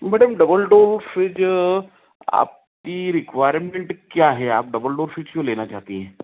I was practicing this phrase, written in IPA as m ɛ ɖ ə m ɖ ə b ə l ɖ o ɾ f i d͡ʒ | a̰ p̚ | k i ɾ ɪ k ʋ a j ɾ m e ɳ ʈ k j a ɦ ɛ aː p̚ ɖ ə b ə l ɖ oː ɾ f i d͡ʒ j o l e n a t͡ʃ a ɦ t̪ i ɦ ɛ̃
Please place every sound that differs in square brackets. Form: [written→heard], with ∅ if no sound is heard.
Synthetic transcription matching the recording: m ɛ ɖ ə m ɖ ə b ə l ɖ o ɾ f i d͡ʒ | a̰ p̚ | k i ɾ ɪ k ʋ a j ɾ m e ɳ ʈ k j a ɦ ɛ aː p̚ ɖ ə b ə l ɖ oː ɾ f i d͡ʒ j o l e n a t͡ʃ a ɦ t̪ i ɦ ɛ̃